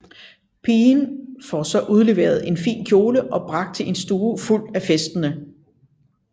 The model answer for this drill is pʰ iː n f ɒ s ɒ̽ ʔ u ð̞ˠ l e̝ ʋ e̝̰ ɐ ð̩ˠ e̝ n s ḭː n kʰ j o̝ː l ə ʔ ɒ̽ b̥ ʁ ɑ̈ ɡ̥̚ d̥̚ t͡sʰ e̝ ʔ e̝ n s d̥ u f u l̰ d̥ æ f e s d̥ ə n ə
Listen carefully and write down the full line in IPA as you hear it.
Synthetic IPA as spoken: pʰ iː n f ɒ s ɒ̽ ʔ u ð̞ˠ l e̝ ʋ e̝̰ ɐ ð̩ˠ e̝ n f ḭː n kʰ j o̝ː l ə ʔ ɒ̽ b̥ ʁ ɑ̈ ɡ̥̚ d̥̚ t͡sʰ e̝ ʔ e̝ n s d̥ uː f u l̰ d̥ æ f e s d̥ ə n ə